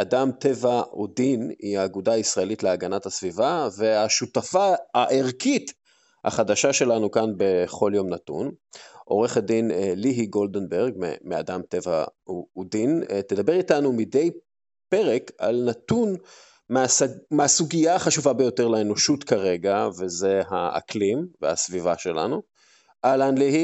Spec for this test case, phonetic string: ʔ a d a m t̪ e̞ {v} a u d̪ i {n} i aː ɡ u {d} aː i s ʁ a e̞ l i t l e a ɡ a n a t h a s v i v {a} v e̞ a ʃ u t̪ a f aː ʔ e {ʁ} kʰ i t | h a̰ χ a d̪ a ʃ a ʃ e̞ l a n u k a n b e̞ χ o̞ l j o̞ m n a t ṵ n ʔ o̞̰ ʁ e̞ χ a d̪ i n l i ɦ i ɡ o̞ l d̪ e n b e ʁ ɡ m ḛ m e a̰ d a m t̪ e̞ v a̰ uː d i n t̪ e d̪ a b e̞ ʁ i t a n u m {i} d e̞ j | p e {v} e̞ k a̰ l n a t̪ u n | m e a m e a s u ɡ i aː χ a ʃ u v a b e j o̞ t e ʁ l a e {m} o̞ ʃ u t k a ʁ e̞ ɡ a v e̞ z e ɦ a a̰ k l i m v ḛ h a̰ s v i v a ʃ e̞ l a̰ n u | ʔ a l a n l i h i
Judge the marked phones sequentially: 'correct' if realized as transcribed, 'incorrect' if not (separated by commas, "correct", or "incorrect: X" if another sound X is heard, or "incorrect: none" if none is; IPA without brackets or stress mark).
correct, correct, correct, correct, correct, correct, incorrect: ʁ, incorrect: n